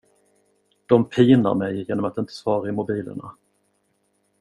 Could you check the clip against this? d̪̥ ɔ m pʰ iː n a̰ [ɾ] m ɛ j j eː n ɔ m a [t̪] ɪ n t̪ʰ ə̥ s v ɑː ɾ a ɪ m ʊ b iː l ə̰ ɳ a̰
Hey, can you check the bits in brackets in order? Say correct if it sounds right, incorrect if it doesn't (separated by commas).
correct, correct